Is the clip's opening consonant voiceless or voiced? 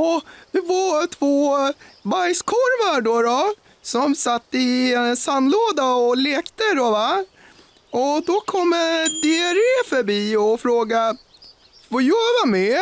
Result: voiced